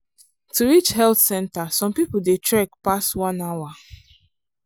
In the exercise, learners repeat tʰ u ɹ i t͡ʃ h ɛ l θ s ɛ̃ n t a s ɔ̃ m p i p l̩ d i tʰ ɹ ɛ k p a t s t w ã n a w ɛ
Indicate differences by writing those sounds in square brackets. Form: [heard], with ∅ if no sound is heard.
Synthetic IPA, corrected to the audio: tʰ u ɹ i t͡ʃ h ɛ l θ s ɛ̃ n t a s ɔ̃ m p i p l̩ d [e] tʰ ɹ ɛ k p a [∅] s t w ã n a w [a]